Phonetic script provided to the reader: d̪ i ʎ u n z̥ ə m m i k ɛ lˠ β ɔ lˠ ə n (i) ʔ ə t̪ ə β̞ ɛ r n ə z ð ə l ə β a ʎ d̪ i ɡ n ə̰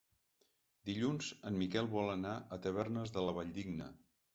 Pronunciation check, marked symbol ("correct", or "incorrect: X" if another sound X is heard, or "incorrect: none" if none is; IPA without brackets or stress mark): incorrect: a